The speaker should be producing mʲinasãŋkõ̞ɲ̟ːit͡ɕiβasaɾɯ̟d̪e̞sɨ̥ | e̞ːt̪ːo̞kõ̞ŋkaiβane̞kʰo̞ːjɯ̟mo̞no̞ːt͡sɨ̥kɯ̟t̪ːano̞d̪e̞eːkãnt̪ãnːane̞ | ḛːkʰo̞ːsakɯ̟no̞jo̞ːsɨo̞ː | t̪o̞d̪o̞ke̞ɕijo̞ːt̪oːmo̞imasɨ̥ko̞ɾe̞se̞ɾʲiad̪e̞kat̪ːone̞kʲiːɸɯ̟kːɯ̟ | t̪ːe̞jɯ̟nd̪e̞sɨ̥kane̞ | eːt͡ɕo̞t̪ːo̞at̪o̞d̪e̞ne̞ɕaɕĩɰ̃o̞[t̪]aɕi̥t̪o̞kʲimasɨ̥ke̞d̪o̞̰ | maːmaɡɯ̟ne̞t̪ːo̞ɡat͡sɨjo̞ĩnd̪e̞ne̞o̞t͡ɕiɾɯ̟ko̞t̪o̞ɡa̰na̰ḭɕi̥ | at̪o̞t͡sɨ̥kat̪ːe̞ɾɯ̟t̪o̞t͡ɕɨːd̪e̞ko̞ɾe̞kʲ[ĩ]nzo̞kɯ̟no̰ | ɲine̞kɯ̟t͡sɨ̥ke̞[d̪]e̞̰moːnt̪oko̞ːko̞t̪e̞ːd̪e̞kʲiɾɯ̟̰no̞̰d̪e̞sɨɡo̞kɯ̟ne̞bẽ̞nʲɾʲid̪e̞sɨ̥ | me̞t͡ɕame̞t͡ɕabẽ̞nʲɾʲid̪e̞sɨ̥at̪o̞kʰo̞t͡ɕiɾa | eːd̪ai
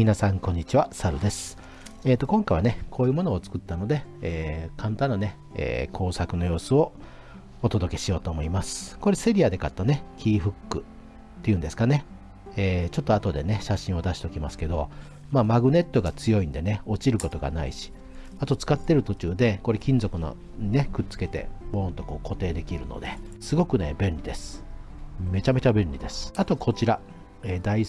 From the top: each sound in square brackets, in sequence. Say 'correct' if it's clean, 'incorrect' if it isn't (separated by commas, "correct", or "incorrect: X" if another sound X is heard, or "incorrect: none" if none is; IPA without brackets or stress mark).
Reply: incorrect: d̪, correct, incorrect: t̪